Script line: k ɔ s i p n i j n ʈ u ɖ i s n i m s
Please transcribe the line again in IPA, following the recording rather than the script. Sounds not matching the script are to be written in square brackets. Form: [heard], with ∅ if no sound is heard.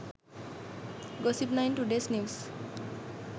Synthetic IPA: [ɡ] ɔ s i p n [a] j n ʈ u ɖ [e] s n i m s

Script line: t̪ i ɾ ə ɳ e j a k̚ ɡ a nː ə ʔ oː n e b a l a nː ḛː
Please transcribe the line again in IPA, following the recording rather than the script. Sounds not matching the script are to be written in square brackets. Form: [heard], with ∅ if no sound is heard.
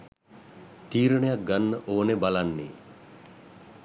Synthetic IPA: t̪ [iː] ɾ ə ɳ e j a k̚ ɡ a nː ə ʔ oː n e b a l a nː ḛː

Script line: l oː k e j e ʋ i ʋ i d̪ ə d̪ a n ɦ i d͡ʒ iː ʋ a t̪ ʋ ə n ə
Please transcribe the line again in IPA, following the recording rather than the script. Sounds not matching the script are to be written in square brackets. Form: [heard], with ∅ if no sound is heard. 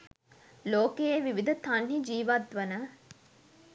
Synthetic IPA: l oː k e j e ʋ i ʋ i d̪ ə [t̪] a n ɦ i d͡ʒ iː ʋ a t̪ ʋ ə n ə

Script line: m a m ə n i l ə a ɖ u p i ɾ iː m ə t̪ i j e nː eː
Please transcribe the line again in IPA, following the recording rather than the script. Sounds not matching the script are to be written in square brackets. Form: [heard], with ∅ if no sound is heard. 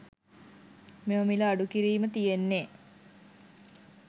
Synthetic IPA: m [e] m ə [m] i l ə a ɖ u [k] i ɾ iː m ə t̪ i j e nː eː

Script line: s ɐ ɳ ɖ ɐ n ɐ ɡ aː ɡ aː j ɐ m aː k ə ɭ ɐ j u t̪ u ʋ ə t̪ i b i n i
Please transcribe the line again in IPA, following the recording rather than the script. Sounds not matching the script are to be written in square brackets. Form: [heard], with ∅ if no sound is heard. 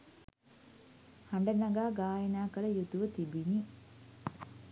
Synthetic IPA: [h] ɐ ɳ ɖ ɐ n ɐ ɡ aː ɡ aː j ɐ [n] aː k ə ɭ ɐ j u t̪ u ʋ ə t̪ i b i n i

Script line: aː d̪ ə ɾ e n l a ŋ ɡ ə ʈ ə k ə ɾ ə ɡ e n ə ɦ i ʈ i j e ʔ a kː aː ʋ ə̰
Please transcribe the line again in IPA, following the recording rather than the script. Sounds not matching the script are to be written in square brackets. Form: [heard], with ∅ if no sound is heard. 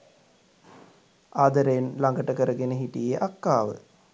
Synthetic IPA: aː d̪ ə ɾ e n l a ŋ ɡ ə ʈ ə k ə ɾ ə ɡ e n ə ɦ i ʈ i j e ʔ a kː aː ʋ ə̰

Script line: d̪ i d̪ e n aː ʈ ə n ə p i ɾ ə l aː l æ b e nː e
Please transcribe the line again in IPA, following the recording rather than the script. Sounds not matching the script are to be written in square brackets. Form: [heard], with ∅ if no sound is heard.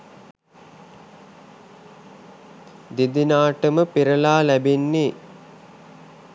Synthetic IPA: d̪ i d̪ [i] n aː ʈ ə [m] ə p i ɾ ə l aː l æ b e nː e

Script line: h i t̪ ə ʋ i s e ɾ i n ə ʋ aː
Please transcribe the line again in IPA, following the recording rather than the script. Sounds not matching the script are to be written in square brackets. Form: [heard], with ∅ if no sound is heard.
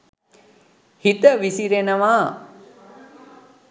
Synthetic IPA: h i t̪ ə ʋ i s [i] ɾ [e] n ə ʋ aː

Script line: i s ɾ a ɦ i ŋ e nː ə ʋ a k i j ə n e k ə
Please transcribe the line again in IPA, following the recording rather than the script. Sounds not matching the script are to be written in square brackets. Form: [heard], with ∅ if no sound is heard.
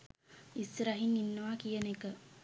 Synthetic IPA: i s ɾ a ɦ i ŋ [i] nː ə ʋ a k i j ə n e k ə

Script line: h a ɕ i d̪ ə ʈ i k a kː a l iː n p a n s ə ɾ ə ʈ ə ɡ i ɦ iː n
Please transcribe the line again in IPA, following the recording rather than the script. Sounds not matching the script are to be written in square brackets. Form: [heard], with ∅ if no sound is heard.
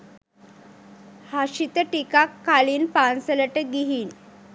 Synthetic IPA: h a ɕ i [t̪] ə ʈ i k a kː a l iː n p a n s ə [l] ə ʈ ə ɡ i ɦ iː n

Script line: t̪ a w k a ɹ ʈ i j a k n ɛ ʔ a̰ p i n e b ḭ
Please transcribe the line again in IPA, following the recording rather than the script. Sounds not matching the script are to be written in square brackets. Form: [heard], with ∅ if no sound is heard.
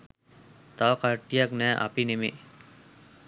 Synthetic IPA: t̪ a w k a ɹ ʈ i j a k n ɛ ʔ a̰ p i n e [m] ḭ

